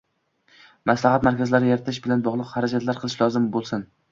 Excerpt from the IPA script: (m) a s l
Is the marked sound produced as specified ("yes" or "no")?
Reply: yes